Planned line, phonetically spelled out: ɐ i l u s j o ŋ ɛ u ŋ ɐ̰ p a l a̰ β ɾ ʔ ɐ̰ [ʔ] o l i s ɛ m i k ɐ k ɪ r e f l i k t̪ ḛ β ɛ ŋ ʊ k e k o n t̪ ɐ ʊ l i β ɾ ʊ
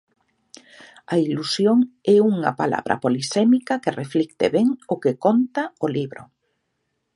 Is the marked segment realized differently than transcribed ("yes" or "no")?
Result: yes